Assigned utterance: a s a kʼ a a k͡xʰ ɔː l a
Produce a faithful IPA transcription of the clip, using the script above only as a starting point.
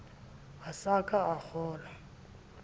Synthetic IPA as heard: a s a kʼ a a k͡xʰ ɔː l a